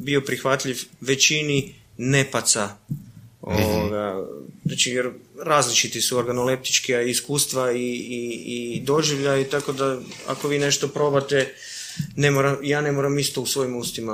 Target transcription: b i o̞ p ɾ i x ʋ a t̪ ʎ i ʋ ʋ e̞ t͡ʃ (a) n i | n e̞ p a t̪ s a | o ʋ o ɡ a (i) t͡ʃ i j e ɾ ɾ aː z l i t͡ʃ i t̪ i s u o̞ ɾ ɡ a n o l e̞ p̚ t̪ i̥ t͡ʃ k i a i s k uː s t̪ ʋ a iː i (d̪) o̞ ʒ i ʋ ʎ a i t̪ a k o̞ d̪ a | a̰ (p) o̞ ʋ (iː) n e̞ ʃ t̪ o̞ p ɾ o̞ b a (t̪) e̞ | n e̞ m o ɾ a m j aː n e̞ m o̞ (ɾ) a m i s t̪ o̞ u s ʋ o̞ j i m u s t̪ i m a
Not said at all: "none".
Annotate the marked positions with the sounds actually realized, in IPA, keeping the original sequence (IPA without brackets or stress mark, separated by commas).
i, a, d̪, k, iː, t̪, ɾ